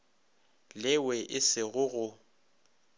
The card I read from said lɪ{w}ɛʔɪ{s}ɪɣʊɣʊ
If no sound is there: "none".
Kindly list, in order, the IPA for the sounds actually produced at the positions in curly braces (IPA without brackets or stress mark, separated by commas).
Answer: w, s